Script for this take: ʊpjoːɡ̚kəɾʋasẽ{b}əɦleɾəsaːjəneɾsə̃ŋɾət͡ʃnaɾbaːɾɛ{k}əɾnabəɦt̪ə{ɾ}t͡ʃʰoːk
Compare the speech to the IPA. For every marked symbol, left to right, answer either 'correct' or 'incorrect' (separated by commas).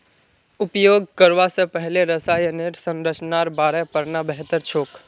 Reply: incorrect, incorrect, correct